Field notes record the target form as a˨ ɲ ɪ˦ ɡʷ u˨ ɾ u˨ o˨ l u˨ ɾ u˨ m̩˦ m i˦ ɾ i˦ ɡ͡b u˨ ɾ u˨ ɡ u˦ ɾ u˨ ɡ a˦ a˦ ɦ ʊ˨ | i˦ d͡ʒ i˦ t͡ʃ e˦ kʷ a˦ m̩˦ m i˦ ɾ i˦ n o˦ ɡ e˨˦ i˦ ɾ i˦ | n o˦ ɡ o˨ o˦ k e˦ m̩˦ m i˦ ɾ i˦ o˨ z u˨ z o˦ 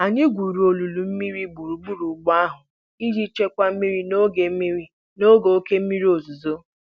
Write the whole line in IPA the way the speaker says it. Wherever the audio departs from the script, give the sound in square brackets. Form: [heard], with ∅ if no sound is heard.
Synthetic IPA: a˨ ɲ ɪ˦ ɡʷ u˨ ɾ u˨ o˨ l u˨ [l] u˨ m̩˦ m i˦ ɾ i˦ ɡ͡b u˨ ɾ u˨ [ɡ͡b] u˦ ɾ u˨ [ɡ͡b] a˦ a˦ ɦ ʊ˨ | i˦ d͡ʒ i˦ t͡ʃ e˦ kʷ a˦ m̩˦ m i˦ ɾ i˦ n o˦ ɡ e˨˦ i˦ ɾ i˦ | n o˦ ɡ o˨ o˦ k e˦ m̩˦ m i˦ ɾ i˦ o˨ z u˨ z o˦